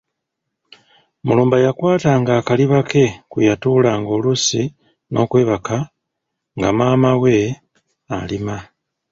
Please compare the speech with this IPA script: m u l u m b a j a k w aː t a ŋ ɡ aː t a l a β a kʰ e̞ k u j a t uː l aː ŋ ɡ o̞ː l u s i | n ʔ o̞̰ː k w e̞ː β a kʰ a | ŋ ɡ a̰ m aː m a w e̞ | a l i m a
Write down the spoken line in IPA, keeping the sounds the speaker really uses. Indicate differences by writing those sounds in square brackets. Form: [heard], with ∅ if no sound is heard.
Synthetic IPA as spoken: m u l [uː] m b a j a k w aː t a ŋ ɡ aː [k] a l [i] β a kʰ e̞ k u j a t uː l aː ŋ ɡ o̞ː l u s i | n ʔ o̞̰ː k w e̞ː β a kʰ a | ŋ ɡ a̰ m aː m a w e̞ | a l i m a